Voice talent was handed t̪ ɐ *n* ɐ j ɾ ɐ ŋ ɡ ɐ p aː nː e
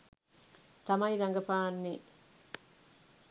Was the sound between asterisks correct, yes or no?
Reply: no